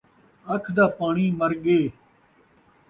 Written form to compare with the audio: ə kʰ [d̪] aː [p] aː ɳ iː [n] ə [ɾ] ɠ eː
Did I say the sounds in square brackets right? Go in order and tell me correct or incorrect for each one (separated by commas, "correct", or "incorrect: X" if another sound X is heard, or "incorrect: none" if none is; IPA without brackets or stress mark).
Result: correct, correct, incorrect: m, correct